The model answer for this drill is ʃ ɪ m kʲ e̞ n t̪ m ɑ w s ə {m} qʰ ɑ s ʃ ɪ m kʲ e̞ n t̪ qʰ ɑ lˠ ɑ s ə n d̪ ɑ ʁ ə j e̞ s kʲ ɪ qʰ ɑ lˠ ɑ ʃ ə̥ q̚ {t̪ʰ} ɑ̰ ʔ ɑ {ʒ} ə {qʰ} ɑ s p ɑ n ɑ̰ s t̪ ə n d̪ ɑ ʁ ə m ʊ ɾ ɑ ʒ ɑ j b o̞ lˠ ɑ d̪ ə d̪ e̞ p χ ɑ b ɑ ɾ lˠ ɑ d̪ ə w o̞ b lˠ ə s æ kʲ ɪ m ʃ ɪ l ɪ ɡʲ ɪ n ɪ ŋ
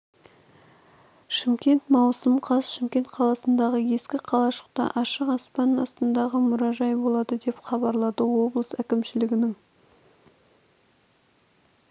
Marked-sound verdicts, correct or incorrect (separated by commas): correct, incorrect, incorrect, incorrect